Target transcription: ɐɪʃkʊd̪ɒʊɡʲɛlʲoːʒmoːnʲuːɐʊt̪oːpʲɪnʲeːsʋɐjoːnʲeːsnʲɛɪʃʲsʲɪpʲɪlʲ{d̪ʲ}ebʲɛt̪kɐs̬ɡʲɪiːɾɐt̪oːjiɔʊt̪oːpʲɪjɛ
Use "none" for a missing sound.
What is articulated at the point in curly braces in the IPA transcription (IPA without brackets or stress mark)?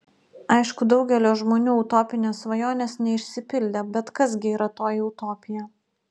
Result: d̪ʲ